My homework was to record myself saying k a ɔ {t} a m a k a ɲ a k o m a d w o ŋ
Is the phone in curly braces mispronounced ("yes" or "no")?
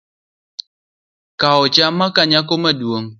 yes